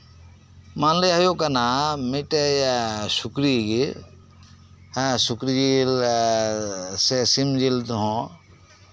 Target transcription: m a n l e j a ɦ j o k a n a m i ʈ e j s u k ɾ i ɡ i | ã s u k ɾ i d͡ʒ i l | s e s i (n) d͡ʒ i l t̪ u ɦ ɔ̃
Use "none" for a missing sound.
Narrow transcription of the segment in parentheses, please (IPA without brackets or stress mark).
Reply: m